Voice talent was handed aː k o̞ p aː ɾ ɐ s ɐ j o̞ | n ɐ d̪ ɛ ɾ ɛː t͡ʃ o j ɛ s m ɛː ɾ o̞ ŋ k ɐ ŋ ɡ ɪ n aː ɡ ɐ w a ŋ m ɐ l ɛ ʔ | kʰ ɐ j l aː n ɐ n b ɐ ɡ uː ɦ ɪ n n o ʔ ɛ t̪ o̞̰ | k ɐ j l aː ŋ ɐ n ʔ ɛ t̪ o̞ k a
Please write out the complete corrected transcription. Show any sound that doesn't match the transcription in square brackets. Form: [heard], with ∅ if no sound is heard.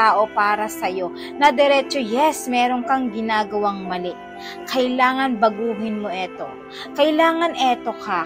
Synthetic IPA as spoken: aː [ʔ] o̞ p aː ɾ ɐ s ɐ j o̞ | n ɐ d̪ ɛ ɾ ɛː t͡ʃ o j ɛ s m ɛː ɾ o̞ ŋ k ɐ ŋ ɡ ɪ n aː ɡ ɐ w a ŋ m ɐ l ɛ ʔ | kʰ ɐ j l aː [ŋ] ɐ n b ɐ ɡ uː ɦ ɪ n [m] o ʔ ɛ t̪ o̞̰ | k ɐ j l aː ŋ ɐ n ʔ ɛ t̪ o̞ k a